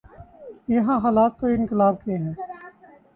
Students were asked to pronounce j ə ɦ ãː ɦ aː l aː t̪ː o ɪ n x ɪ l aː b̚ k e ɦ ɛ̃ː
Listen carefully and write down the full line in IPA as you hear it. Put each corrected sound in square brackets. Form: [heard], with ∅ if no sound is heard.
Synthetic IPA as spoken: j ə ɦ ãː ɦ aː l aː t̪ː o ɪ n [k] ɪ l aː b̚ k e ɦ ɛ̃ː